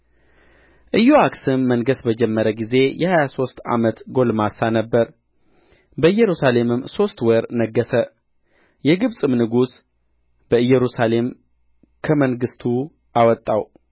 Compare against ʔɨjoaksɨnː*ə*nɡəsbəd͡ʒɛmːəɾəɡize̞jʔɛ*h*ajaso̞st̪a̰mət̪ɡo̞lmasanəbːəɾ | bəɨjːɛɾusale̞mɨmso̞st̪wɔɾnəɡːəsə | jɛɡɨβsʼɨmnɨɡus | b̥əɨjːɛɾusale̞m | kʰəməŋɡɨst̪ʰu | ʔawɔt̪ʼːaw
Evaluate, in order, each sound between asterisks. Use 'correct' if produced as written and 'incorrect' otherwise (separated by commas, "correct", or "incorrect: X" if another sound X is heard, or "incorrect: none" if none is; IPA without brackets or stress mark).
correct, correct